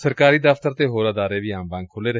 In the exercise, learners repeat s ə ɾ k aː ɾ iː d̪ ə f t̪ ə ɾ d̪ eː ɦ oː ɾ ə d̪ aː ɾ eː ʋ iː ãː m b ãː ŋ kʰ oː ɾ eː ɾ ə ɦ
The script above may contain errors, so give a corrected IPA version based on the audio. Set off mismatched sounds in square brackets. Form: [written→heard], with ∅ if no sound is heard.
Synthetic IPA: s ə ɾ k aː ɾ iː d̪ ə f t̪ ə ɾ [d̪→t̪] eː ɦ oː ɾ ə d̪ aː ɾ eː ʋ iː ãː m b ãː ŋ kʰ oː [ɾ→l] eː ɾ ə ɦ